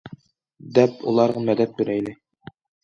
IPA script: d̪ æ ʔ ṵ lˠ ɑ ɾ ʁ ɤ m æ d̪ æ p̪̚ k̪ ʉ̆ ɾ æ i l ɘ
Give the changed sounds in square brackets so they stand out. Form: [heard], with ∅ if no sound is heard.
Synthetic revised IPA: d̪ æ [p] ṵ lˠ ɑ ɾ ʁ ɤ m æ d̪ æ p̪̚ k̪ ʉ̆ ɾ æ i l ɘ